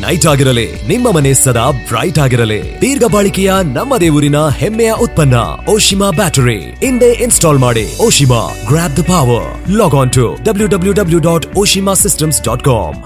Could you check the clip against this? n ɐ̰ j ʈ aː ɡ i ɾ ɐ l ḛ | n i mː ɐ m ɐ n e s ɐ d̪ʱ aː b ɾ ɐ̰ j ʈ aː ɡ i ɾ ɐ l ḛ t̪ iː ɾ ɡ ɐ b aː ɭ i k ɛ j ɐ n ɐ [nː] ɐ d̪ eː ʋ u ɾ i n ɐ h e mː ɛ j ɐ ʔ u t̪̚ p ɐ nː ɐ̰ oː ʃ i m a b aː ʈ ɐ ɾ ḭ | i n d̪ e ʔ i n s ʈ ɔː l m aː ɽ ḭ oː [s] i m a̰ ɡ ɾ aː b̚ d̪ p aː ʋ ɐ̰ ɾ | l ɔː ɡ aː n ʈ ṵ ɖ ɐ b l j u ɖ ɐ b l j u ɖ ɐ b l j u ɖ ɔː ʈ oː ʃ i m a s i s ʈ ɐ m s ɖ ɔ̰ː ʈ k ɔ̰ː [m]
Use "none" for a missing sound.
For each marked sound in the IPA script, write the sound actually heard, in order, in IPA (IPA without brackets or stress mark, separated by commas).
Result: mː, ʃ, m